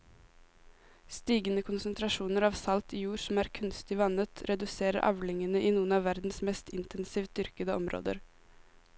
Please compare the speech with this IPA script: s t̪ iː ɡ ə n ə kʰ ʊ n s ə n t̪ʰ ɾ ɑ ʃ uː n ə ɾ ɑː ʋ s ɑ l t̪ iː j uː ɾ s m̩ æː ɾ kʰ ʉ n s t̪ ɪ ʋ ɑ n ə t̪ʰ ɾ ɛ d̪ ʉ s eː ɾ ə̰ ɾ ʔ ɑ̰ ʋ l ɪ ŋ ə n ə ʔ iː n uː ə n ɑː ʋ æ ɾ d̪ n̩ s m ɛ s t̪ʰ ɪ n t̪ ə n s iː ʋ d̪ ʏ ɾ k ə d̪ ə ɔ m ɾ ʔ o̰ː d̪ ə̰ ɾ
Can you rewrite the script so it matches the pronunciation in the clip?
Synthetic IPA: s t̪ iː ɡ ə n ə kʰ ʊ n s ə n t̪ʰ ɾ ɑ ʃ uː n ə ɾ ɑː ʋ s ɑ l t̪ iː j uː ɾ s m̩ æː ɾ kʰ ʉ n s t̪ ɪ ʋ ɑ n ə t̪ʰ ɾ ɛ d̪ ʉ s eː ɾ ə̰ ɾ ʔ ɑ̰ ʋ l ɪ ŋ ə n ə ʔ iː n uː ə n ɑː ʋ æ ɾ d̪ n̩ s m ɛ s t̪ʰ ɪ n t̪ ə n s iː ʋ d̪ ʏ ɾ k ə d̪ ə ɔ m ɾ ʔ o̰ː d̪ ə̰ ɾ